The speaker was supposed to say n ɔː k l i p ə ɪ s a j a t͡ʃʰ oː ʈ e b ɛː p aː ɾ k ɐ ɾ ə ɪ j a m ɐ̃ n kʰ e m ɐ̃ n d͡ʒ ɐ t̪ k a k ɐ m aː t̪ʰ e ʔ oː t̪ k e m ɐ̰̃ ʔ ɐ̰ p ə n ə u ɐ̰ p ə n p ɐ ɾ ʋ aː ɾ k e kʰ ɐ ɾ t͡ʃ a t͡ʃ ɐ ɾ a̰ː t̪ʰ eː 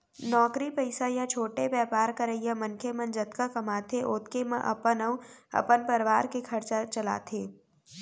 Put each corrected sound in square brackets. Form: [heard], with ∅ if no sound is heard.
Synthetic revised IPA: n ɔː k [ɾ] i p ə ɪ s a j a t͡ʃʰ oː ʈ e b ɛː p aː ɾ k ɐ ɾ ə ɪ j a m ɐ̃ n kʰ e m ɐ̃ n d͡ʒ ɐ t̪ k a k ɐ m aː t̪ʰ e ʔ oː t̪ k e m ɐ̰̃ ʔ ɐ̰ p ə n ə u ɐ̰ p ə n p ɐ ɾ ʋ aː ɾ k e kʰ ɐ ɾ t͡ʃ a t͡ʃ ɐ [l] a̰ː t̪ʰ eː